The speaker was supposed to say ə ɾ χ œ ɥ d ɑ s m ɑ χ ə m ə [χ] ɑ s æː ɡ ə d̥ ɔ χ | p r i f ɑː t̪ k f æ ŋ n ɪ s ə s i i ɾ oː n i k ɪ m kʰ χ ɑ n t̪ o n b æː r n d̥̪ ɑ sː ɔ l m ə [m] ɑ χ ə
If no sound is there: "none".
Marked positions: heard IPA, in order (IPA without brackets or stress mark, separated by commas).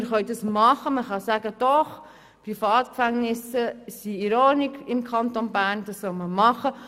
χ, m